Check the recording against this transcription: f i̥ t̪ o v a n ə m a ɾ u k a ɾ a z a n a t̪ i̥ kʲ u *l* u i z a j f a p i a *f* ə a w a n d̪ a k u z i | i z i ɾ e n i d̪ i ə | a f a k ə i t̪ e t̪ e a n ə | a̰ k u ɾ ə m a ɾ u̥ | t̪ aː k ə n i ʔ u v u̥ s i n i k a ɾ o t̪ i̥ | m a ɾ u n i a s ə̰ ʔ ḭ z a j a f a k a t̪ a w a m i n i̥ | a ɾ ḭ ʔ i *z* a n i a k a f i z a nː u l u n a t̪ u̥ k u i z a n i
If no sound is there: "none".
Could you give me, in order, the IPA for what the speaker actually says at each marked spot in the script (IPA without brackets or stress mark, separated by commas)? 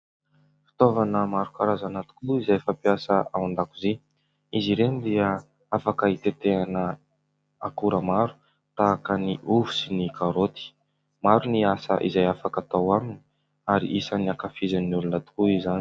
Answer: l, s, s